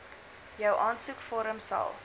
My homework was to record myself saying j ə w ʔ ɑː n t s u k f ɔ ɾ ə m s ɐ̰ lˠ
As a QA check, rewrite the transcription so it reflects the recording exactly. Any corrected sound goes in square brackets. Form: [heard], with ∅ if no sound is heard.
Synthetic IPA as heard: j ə w ʔ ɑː n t s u k f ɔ ɾ ə m s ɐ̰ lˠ